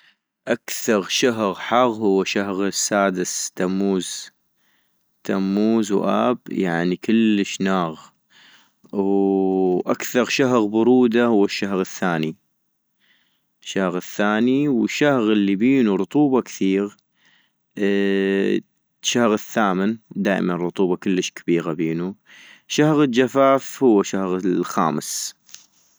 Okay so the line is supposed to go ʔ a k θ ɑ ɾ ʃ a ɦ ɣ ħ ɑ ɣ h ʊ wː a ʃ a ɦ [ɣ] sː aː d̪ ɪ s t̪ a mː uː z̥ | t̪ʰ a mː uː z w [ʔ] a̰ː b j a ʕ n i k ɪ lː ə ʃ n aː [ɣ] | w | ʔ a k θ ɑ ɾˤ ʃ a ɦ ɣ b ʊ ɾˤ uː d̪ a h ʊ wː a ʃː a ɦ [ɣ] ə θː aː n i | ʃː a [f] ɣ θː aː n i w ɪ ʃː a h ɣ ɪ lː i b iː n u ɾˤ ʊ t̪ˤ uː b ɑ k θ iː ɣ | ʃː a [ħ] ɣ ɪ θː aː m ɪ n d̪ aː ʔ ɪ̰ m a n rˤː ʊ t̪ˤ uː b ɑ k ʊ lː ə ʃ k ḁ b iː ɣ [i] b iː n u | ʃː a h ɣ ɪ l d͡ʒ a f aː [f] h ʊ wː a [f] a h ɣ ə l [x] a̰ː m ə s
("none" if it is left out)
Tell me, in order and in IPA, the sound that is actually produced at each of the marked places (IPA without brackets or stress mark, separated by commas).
ɣ, ʔ, ɣ, ɣ, h, h, a, f, ʃ, x